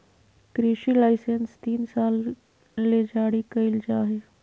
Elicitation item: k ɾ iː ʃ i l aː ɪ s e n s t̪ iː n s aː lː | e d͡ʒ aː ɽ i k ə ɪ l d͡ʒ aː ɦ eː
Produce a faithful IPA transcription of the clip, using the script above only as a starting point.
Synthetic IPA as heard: k ɾ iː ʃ i l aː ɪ s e n s t̪ iː n s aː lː | e d͡ʒ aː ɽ i k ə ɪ l d͡ʒ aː ɦ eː

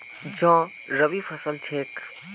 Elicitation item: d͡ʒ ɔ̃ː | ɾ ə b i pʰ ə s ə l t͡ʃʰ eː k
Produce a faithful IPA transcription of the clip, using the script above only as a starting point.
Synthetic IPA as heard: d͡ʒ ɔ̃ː | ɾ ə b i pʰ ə s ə l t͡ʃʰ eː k

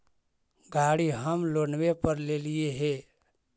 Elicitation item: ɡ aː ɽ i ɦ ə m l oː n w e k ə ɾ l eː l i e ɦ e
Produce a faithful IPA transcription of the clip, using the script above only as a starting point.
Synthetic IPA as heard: ɡ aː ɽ i ɦ ə m l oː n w e p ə ɾ l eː l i e ɦ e

